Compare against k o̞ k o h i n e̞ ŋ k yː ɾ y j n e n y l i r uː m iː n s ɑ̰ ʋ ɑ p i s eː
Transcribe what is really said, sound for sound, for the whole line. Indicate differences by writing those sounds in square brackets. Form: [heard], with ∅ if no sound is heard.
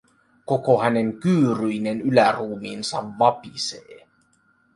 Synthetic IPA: k o̞ k o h [æ] n e̞ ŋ k yː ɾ y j n e n y l [æ] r uː m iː n s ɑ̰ [ʋː] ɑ p i s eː

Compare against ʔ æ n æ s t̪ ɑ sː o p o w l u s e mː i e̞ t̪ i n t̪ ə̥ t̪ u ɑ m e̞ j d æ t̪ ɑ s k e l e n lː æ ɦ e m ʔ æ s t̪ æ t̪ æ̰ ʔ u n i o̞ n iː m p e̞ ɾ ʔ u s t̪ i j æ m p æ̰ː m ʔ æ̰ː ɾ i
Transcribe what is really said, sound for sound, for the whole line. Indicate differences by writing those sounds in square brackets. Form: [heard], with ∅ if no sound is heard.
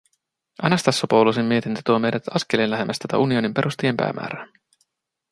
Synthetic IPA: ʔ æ n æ s t̪ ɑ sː o p o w l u s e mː i e̞ t̪ i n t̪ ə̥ t̪ u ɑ m e̞ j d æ t̪ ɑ s k e l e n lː æ ɦ e m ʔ æ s t̪ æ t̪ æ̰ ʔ u n i o̞ n [i] m p e̞ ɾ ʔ u s t̪ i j [e] m p æ̰ː m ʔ æ̰ː ɾ [æ]

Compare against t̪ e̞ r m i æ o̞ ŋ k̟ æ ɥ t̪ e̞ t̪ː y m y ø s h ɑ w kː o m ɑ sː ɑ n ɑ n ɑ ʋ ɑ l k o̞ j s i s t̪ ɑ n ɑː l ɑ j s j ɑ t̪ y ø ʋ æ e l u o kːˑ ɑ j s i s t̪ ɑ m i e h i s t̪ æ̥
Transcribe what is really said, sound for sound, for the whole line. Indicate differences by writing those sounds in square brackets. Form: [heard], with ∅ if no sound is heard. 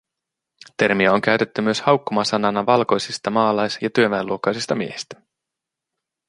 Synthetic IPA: t̪ e̞ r m i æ o̞ ŋ k̟ æ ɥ t̪ e̞ t̪ː y m y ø s h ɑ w kː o m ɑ [s] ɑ n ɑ n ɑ ʋ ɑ l k o̞ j s i s t̪ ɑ [m] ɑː l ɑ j s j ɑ t̪ y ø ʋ æ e l u o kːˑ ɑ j s i s t̪ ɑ m i e h i s t̪ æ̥

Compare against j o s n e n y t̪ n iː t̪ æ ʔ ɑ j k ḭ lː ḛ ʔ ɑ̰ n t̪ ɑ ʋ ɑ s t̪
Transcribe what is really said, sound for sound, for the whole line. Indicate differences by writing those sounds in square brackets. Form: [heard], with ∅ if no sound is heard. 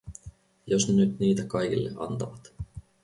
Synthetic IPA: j o s n e n y t̪ n iː t̪ æ [k] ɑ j k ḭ lː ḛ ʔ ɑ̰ n t̪ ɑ ʋ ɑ [∅] t̪

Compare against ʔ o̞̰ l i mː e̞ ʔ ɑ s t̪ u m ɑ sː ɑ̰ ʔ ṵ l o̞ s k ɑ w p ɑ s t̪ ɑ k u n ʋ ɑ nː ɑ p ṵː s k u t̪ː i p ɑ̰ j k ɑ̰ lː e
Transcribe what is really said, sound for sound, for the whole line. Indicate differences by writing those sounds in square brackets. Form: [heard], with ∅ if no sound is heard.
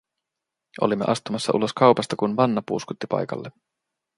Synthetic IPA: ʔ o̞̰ l i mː e̞ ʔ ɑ s t̪ u m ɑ sː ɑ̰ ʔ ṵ l o̞ s k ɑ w p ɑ s t̪ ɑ k u n ʋ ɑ nː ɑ p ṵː s k u t̪ː i p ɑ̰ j k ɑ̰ lː e

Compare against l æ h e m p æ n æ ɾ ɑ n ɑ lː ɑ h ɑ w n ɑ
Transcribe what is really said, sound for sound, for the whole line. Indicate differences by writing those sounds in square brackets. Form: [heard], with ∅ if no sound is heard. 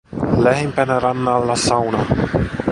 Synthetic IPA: l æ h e m p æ n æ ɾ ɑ [nː] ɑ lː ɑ [s] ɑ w n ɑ

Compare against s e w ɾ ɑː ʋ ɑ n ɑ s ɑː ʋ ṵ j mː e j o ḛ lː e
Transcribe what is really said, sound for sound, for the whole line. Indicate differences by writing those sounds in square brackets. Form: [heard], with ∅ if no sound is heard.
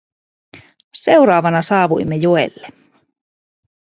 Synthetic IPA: s e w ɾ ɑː ʋ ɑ n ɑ s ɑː ʋ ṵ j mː e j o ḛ lː e

